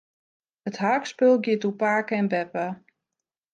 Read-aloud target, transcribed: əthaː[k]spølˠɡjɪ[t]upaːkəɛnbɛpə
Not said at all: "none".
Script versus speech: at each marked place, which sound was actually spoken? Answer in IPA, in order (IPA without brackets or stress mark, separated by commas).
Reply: k, t